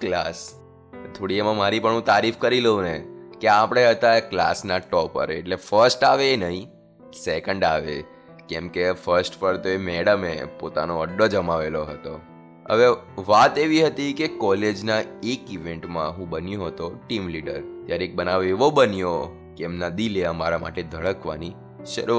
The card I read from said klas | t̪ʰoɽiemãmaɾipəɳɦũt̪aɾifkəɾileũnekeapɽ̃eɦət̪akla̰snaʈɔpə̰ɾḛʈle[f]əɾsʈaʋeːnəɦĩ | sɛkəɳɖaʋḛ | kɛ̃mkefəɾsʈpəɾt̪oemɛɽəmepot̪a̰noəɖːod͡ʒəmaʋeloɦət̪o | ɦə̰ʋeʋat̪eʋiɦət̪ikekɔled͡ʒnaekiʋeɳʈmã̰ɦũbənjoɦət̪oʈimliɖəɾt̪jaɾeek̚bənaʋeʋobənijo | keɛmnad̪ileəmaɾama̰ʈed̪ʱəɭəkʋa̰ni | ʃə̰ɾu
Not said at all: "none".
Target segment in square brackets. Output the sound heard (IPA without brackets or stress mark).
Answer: f